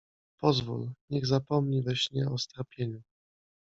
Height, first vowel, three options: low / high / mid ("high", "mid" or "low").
mid